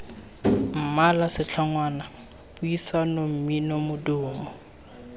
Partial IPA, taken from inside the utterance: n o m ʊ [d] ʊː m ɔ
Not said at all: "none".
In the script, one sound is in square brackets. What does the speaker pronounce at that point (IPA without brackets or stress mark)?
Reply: d